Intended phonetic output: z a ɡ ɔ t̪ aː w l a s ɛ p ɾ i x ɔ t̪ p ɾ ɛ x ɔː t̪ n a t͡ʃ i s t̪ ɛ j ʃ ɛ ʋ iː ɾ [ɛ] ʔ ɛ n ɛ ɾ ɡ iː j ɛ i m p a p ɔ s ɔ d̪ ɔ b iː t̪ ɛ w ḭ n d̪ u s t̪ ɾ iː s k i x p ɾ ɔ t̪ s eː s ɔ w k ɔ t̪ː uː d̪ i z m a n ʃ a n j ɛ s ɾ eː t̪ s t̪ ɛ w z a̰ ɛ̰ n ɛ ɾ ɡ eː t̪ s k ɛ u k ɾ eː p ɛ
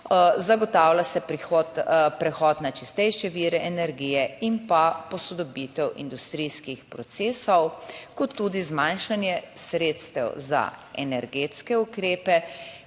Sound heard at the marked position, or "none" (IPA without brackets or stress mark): ɛ